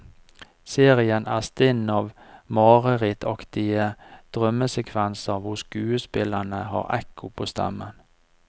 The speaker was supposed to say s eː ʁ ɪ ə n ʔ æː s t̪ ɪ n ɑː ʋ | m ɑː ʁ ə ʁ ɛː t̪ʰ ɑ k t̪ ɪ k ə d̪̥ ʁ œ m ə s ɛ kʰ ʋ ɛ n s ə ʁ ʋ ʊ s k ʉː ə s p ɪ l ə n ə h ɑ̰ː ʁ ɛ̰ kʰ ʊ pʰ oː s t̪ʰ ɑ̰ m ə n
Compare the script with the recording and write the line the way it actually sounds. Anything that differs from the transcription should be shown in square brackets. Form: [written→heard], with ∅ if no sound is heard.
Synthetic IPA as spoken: s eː ʁ ɪ ə n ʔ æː s t̪ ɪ n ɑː ʋ | m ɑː ʁ ə ʁ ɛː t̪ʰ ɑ k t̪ ɪ [k→∅] ə d̪̥ ʁ œ m ə s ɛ kʰ ʋ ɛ n s ə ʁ ʋ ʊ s k ʉː ə s p ɪ l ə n ə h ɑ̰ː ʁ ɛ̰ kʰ ʊ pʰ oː s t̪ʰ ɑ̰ m ə n